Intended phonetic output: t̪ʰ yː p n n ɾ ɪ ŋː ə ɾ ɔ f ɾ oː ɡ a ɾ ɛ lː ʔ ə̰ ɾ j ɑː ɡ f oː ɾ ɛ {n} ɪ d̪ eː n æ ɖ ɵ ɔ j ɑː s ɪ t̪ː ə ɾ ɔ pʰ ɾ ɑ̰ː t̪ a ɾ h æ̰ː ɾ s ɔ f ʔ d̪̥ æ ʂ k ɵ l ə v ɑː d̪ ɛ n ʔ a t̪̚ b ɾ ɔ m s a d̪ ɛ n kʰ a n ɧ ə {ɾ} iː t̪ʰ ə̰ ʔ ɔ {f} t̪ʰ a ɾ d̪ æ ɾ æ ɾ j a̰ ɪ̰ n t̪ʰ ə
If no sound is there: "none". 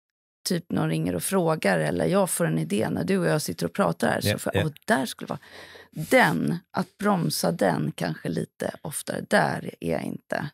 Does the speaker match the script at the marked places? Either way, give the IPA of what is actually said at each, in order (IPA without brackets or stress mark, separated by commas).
n, l, f